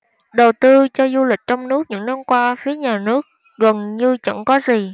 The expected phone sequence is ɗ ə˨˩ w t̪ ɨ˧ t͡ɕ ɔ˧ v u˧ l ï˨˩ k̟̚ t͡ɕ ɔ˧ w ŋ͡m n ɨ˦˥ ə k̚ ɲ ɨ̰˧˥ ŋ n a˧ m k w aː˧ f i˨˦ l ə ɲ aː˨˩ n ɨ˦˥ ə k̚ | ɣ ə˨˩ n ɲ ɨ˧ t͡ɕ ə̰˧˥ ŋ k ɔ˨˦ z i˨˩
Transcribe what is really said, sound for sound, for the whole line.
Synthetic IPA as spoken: ɗ ə˨˩ w t̪ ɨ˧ t͡ɕ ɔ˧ z u˧ l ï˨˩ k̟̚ t͡ɕ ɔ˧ w ŋ͡m n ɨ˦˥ ə k̚ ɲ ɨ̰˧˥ ŋ n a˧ m k w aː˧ f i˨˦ ə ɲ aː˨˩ n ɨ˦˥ ə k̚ | ɣ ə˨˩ n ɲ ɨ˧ t͡ɕ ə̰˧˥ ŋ k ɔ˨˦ z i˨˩